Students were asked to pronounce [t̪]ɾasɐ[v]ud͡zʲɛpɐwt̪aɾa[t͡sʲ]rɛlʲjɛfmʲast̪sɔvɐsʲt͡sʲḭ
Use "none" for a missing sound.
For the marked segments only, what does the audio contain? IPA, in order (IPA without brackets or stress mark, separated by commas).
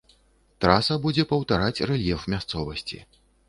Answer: t̪, b, t͡sʲ